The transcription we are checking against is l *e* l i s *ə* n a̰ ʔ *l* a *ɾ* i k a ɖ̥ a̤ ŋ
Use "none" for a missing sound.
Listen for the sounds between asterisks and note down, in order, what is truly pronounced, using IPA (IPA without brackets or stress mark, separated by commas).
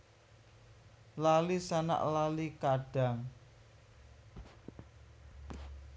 a, a, l, l